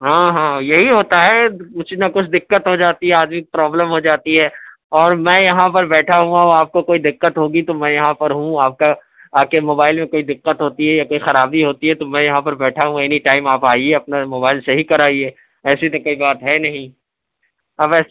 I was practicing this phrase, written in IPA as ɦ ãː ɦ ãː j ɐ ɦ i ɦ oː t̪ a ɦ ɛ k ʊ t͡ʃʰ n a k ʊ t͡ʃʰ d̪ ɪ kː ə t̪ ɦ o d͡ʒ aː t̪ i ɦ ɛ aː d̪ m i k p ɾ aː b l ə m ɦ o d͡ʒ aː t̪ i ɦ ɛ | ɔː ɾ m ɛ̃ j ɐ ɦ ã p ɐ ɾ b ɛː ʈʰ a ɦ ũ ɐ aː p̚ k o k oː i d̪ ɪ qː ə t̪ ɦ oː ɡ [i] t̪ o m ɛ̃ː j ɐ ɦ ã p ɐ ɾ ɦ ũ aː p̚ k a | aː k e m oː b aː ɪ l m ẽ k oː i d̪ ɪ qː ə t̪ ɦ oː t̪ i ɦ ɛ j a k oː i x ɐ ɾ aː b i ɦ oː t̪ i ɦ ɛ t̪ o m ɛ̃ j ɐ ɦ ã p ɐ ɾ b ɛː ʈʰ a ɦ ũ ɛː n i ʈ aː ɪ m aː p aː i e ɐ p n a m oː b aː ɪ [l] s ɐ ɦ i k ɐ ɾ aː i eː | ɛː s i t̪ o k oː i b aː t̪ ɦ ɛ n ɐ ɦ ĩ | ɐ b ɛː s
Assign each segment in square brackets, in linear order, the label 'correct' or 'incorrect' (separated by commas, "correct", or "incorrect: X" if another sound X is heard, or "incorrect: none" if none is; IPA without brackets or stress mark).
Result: correct, correct